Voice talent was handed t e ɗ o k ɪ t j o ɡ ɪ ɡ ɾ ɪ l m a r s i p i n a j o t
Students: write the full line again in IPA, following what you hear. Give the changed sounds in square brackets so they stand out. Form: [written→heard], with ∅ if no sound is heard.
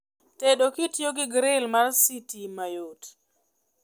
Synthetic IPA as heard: t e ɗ o k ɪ t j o ɡ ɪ ɡ ɾ ɪ l m a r s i [p→t] i [n→m] a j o t